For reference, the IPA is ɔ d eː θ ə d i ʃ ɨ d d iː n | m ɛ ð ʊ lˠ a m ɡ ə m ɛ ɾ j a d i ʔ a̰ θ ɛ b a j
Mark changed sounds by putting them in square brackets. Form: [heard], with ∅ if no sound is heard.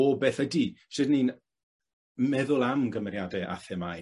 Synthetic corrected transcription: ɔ [b] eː θ ə d i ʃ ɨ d [n] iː n | m ɛ ð ʊ lˠ a m ɡ ə m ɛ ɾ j a d [ɛ] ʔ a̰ θ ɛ [m] a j

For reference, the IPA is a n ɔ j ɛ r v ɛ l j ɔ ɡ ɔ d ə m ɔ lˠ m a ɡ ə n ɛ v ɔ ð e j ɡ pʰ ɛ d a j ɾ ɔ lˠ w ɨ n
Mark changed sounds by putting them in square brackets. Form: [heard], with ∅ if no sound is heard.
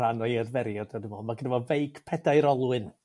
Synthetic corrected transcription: a n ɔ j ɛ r v ɛ [ɾ] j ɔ [d] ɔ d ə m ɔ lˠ m a ɡ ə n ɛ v ɔ [v] e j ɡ pʰ ɛ d a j ɾ ɔ lˠ w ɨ n

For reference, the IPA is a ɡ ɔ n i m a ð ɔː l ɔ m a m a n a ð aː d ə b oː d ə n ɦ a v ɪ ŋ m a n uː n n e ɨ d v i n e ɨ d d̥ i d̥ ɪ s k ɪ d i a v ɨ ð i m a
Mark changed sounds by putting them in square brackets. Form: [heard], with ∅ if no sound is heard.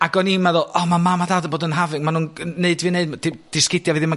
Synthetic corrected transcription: a ɡ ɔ n i m a ð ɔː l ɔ m a m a [m] a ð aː d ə b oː d ə n ɦ a v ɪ ŋ m a n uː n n e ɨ d v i n e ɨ d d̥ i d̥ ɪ s k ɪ d [j] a v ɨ ð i m a

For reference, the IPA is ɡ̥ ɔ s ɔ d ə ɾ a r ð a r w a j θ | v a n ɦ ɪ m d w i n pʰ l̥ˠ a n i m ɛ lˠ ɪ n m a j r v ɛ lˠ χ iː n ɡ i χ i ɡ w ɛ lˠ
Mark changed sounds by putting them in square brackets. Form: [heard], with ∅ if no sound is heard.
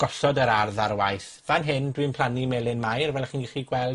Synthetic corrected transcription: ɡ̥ ɔ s ɔ d ə ɾ a r ð a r w a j θ | v a n ɦ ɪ [n] d w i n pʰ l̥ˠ a n i m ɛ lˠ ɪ n m a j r v ɛ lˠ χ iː n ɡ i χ i ɡ w ɛ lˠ

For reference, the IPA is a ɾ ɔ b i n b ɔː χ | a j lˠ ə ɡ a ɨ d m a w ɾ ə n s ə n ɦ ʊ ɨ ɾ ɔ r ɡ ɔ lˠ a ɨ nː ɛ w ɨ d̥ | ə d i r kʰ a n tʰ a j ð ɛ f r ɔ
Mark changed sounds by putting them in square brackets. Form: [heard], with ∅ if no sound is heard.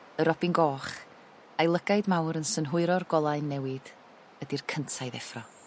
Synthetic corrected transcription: [ə] ɾ ɔ b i n [ɡ] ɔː χ | a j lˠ ə ɡ a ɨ d m a w ɾ ə n s ə n ɦ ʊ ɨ ɾ ɔ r ɡ ɔ lˠ a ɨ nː ɛ w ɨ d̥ | ə d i r kʰ [ə] n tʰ a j ð ɛ f r ɔ

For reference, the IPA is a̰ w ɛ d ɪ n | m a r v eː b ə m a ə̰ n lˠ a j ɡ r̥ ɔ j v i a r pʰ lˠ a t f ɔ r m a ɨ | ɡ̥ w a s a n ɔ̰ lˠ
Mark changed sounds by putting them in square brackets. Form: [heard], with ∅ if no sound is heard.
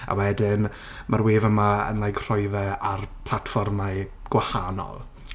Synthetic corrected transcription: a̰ w ɛ d ɪ n | m a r [w] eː [v] ə m a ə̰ n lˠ a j ɡ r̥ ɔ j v [ɛ] a r pʰ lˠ a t f ɔ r m a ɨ | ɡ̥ w a [h] a n ɔ̰ lˠ

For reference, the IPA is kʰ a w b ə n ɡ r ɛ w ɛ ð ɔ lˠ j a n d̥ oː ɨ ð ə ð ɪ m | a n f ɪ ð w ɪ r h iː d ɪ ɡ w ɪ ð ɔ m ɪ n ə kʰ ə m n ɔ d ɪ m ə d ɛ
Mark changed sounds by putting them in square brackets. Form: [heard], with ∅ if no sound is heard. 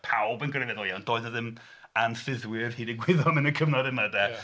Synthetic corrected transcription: [pʰ] a w b ə n ɡ r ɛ [v] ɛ ð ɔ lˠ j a n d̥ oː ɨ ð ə ð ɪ m | a n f ɪ ð w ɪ r h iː d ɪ ɡ w ɪ ð ɔ m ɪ n ə kʰ ə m n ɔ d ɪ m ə d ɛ

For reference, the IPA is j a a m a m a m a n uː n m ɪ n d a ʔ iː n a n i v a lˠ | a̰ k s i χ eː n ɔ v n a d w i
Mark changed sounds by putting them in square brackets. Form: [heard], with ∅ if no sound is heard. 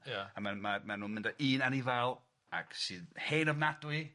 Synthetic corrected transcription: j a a m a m a m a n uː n m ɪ n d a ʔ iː n a n i v a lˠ | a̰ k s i [h] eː n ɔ v n a d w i

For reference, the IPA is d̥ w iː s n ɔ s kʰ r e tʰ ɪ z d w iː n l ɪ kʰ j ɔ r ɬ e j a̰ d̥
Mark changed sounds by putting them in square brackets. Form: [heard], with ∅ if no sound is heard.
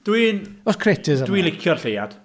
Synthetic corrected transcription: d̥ w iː [∅] n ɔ s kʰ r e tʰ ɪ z d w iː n l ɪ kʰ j ɔ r ɬ e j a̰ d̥

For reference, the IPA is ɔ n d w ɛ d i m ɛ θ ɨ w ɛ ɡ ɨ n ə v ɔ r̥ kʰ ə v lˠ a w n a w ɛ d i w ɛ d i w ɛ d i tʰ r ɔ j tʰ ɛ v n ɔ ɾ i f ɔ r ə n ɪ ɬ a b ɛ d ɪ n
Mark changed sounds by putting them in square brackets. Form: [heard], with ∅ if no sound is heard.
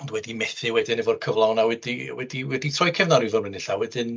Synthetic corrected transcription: ɔ n d w ɛ d i m ɛ θ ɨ w ɛ [d] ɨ n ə v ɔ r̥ kʰ ə v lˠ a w n a w ɛ d i w ɛ d i w ɛ d i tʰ r ɔ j [kʰ] ɛ v n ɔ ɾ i [v] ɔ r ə n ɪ ɬ a [w] ɛ d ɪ n

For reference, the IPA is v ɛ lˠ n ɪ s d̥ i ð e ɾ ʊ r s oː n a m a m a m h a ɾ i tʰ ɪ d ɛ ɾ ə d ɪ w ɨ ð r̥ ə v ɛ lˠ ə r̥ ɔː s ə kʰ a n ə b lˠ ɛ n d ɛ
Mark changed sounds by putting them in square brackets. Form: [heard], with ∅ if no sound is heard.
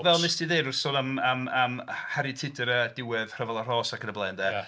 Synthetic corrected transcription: v ɛ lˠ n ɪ s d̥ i ð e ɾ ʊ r s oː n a m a m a m h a ɾ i tʰ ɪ d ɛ ɾ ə d ɪ w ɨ ð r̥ ə v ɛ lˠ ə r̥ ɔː s [a] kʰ [ə] n ə b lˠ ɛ n d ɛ

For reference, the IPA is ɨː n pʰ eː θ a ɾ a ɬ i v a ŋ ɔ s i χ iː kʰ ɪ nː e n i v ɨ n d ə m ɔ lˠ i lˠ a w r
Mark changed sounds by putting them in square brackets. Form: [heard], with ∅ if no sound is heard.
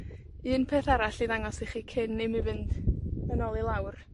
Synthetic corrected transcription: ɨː n pʰ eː θ a ɾ a ɬ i [ð] a ŋ ɔ s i χ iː kʰ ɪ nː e [m] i v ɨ n d ə [n] ɔ lˠ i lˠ a w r

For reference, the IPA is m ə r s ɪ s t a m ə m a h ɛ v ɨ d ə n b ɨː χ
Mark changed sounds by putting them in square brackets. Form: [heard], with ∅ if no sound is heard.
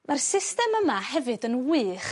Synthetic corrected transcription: m [a] r s ɪ s t [ɛ] m ə m a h ɛ v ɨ d ə n [w] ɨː χ

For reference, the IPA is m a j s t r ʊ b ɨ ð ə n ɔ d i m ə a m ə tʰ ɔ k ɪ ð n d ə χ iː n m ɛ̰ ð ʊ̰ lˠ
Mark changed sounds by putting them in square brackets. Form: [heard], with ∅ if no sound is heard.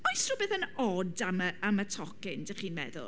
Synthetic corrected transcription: m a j s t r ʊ b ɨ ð ə n ɔ d [a] m ə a m ə tʰ ɔ k ɪ [∅] n d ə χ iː n m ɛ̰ ð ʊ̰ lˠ

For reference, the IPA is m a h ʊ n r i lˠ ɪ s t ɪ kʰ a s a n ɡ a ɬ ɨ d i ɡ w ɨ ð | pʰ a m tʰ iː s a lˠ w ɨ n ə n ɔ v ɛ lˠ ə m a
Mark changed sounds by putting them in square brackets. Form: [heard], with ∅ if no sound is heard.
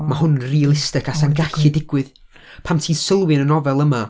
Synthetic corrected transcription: m a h ʊ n r i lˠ ɪ s t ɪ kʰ a s a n ɡ a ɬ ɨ d [ɪ] ɡ w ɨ ð | pʰ a m tʰ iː s [ə] lˠ w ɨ n ə n ɔ v ɛ lˠ ə m a

